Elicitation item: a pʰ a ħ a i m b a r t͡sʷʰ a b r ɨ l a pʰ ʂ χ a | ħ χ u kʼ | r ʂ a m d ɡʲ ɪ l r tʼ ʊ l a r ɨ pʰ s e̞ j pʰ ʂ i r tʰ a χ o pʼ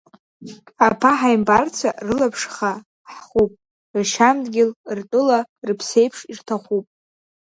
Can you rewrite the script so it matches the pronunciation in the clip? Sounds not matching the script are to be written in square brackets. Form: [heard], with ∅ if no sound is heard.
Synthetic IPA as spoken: a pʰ a ħ a [j] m b a r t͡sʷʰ a [∅] r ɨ l a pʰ ʂ χ a | ħ χ u [pʼ] | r [ʃ] a m d ɡʲ ɪ l r tʼ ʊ l a r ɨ pʰ s e̞ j pʰ ʂ i r tʰ a χ [u] pʼ